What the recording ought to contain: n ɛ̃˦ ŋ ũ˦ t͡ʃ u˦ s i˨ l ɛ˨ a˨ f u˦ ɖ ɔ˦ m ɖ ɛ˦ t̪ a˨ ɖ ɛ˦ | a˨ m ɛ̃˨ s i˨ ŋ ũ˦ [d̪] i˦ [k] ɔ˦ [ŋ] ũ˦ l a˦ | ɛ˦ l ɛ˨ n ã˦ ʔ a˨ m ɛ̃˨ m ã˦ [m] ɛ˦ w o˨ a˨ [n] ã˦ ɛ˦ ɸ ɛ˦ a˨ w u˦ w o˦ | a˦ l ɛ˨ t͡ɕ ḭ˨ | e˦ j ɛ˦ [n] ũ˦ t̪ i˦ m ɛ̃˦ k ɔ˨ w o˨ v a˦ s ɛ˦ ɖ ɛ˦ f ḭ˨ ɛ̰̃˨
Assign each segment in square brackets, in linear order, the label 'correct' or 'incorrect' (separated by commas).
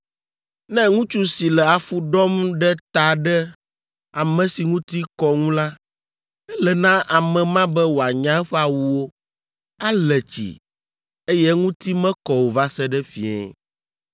incorrect, correct, correct, incorrect, incorrect, incorrect